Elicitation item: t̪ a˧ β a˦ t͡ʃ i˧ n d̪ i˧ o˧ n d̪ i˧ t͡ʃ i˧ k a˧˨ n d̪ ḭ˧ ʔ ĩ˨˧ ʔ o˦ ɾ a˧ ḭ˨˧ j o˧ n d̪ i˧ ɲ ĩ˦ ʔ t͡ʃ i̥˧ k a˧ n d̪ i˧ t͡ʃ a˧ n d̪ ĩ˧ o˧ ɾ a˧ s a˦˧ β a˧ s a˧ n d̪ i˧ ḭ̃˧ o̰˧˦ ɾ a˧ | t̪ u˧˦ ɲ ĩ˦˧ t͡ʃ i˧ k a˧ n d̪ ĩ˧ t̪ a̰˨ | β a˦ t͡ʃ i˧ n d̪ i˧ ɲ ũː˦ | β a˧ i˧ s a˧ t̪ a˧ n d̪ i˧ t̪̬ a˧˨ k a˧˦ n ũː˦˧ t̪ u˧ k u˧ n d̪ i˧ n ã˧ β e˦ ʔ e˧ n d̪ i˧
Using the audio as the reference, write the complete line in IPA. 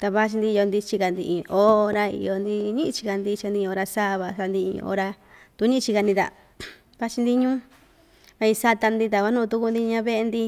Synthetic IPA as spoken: t̪ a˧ β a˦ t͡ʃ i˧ n d̪ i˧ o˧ n d̪ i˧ t͡ʃ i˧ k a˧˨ n d̪ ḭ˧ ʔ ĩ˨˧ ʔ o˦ ɾ a˧ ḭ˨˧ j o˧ n d̪ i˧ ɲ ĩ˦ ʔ t͡ʃ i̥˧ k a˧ n d̪ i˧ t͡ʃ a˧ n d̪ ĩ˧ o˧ ɾ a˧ s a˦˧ β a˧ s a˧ n d̪ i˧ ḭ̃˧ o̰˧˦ ɾ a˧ | t̪ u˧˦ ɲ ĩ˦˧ t͡ʃ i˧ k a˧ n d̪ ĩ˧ t̪ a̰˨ | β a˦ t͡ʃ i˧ n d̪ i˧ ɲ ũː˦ | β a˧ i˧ s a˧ t̪ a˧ n d̪ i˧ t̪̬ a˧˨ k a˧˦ n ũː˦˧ t̪ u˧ k u˧ n d̪ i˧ ɲ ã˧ β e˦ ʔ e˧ n d̪ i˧